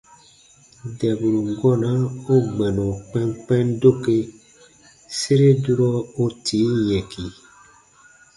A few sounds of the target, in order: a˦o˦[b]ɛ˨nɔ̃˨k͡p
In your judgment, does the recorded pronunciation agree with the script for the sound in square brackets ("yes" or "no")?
no